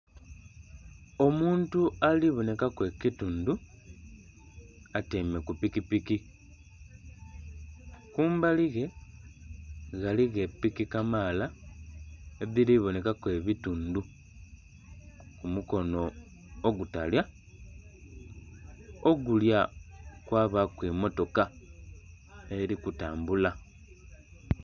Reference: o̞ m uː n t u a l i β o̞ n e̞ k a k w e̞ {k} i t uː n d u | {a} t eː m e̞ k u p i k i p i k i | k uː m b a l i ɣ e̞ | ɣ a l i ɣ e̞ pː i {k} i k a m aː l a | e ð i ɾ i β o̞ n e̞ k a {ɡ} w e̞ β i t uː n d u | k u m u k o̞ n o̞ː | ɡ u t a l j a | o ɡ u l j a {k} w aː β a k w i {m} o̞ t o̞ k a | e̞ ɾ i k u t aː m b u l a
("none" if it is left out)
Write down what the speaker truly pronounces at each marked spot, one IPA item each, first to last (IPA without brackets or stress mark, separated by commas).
k, a, k, k, k, m